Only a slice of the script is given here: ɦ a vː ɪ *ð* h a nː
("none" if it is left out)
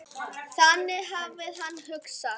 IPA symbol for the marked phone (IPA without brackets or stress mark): ð